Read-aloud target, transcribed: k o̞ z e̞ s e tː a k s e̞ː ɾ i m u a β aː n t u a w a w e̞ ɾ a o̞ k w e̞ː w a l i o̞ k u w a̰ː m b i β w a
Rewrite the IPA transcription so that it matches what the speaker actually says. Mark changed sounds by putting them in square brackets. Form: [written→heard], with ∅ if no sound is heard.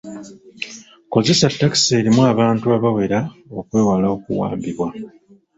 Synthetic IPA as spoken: k o̞ z e̞ s [e→a] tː a k s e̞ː ɾ i m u a β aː n t u a [w→β] a w e̞ ɾ a o̞ k w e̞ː w a l [i→a] o̞ k u w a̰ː m b i β w a

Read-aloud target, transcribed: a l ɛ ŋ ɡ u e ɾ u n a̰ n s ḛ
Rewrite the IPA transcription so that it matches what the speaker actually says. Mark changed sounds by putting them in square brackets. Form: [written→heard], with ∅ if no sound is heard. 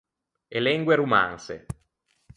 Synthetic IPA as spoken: [a→e] l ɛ ŋ ɡ [u→w] e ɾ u [n→m] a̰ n s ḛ

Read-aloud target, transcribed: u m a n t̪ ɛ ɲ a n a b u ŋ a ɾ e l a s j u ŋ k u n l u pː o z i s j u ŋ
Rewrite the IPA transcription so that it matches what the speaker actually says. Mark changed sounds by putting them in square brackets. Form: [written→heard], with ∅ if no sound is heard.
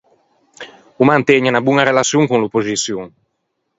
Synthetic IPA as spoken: u m a n t̪ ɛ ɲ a n a b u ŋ a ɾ e l a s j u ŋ k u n l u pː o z i s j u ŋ

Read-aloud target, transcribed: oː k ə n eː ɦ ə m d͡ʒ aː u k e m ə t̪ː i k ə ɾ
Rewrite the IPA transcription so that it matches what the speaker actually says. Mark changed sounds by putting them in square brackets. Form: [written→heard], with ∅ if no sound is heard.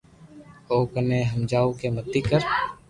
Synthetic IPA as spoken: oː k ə n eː ɦ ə m d͡ʒ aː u k e m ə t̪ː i k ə ɾ

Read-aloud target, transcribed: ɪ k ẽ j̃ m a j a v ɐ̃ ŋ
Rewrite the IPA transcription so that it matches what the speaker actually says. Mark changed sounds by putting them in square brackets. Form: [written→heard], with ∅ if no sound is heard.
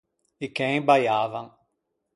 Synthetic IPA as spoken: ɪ k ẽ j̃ [m→b] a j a v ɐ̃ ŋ

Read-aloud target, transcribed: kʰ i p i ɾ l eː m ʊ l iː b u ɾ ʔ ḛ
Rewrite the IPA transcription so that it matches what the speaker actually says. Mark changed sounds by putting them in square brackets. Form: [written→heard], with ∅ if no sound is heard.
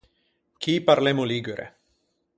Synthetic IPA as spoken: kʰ i p [i→a] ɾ l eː m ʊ l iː [b→ɡ] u ɾ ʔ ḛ

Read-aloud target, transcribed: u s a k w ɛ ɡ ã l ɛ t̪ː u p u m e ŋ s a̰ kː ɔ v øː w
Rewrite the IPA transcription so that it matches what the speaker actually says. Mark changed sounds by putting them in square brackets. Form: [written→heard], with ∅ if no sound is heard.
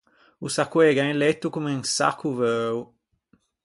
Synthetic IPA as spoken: u s a k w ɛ ɡ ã l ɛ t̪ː u [p→k] u m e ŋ s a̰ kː [ɔ→u] v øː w

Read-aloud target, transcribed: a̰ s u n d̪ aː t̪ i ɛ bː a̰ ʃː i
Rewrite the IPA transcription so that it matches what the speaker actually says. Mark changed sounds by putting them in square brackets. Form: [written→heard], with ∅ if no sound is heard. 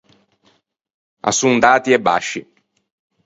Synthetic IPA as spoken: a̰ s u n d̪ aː t̪ i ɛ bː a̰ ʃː i

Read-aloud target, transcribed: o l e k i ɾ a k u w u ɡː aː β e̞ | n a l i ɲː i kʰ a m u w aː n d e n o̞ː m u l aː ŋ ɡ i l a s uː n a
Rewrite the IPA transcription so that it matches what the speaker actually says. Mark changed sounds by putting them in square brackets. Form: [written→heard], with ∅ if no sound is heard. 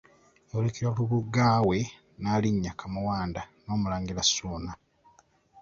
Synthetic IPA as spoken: o l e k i ɾ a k u [w→β] u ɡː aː [β→w] e̞ | n a l i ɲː [i→a] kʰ a m u w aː n d [e→a] n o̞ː m u l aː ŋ ɡ i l a s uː n a

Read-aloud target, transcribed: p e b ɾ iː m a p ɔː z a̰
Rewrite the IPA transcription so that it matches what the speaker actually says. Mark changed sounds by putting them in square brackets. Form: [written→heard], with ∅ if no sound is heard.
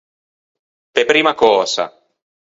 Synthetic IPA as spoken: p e [b→p] ɾ iː m a [p→k] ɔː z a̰

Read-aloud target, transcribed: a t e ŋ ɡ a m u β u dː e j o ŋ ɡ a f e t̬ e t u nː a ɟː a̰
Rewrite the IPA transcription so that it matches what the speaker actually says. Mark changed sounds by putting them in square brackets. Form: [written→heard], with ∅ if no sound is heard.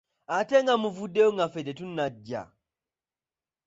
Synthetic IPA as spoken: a t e ŋ ɡ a m u [β→v] u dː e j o ŋ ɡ a f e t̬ e t u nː a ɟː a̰

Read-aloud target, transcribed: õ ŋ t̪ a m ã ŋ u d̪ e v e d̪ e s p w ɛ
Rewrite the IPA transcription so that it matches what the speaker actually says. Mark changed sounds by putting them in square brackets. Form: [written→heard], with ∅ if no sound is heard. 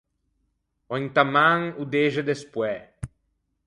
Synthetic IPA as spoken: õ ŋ t̪ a m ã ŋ u d̪ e [v→ʒ] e d̪ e s p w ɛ

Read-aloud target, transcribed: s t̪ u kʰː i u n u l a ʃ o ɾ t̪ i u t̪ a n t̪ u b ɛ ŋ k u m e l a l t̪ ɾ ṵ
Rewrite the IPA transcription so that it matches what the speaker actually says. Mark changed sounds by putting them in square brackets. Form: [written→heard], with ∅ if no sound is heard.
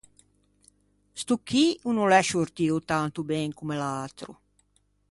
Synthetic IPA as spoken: s t̪ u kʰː i u n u l [a→ɛ] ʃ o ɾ t̪ i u t̪ a n t̪ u b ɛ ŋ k u m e l a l t̪ ɾ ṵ

